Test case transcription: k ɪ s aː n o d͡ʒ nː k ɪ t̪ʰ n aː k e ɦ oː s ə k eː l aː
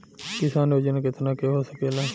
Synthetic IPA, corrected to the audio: k ɪ s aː n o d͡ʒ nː k ɪ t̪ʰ n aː k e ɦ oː s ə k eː l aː